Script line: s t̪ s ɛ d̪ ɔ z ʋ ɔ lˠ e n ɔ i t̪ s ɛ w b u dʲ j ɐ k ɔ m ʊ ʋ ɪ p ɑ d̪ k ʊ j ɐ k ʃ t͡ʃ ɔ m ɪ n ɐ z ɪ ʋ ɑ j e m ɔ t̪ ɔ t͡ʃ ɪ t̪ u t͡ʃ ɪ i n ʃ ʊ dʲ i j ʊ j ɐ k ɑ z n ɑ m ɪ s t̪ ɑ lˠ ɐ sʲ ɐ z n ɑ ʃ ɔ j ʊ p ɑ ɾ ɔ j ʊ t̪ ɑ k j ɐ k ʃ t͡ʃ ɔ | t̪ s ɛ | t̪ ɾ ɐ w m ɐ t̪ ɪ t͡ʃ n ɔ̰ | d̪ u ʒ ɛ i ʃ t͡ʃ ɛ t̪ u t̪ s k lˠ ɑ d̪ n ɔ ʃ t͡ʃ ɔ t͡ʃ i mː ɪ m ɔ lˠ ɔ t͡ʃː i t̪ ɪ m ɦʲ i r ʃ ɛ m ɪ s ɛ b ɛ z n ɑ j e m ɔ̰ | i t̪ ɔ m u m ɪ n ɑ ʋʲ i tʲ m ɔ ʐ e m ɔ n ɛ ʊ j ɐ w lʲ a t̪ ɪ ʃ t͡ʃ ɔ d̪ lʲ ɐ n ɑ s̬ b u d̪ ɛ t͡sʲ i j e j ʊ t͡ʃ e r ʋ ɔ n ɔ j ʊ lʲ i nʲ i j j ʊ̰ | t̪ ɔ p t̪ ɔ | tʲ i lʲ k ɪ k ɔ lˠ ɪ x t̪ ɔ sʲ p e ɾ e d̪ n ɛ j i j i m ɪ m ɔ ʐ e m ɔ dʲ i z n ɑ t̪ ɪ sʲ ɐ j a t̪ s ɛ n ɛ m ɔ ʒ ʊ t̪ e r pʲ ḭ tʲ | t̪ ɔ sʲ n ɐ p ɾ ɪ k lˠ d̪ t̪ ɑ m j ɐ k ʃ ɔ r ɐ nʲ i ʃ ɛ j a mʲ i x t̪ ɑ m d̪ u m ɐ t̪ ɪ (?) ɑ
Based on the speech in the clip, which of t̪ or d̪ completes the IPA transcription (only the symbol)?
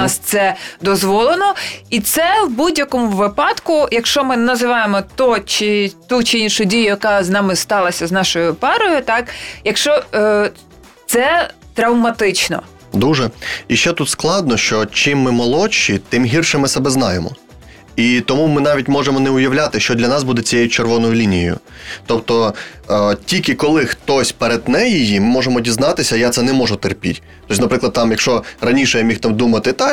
t̪